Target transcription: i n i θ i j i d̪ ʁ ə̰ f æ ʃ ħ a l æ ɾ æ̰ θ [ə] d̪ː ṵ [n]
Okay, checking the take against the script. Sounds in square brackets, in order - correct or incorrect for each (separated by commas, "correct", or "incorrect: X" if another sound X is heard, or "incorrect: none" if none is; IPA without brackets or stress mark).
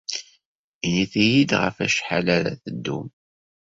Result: correct, incorrect: m